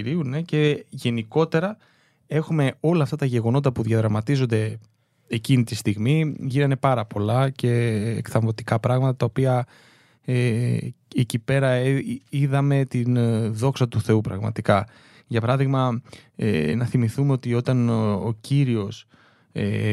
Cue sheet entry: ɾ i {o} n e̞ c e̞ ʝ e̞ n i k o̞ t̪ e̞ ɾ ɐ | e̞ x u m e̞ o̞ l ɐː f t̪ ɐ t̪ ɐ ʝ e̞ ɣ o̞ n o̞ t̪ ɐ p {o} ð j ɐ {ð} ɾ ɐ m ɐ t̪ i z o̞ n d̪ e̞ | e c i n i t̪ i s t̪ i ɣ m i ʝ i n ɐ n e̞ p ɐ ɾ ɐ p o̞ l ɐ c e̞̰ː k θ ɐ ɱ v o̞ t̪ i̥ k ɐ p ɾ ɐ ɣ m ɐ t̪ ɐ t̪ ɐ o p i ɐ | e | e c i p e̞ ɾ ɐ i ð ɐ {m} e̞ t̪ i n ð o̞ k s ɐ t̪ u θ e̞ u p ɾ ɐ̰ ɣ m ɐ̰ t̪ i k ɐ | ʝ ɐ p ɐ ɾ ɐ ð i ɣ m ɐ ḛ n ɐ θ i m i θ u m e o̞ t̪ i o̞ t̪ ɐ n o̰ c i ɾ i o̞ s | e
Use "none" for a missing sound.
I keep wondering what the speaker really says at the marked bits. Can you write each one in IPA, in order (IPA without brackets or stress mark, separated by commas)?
u, u, ð, m